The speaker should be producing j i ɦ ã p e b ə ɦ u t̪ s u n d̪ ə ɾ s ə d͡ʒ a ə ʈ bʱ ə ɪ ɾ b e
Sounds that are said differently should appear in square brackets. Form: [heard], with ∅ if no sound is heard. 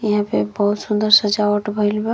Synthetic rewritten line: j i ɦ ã p e b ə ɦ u t̪ s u n d̪ ə ɾ s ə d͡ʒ a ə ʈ bʱ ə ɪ [l] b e